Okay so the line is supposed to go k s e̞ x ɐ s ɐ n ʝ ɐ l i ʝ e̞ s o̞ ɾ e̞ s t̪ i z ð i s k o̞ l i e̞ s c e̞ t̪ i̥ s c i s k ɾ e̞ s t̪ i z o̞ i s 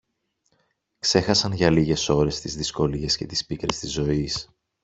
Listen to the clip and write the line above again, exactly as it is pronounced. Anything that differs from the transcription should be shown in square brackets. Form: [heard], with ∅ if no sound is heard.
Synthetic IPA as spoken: k s e̞ x ɐ s ɐ n ʝ ɐ l i ʝ e̞ s o̞ ɾ e̞ s t̪ i z ð i s k o̞ l i e̞ s c e̞ t̪ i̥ s [p] i [∅] k ɾ e̞ s t̪ i z o̞ i s